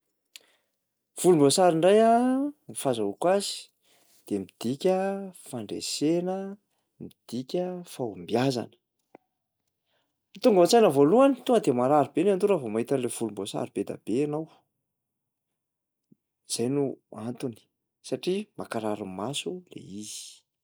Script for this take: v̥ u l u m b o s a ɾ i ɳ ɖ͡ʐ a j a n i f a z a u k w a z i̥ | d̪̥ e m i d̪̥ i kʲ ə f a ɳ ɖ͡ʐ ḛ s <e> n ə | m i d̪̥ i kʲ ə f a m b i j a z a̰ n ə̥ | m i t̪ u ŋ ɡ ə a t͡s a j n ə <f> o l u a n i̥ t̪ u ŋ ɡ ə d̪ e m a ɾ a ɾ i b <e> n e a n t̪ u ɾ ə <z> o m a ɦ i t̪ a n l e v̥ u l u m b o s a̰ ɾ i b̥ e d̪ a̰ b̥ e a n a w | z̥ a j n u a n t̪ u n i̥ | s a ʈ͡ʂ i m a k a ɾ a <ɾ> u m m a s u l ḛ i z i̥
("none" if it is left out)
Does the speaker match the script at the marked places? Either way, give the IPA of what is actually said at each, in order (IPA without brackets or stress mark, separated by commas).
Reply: e, v, e, v, ɾ